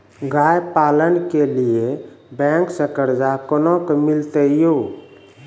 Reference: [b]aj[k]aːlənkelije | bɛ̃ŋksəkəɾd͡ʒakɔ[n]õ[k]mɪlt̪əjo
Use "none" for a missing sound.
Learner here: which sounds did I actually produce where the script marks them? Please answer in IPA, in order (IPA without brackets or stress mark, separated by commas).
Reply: ɡ, p, n, k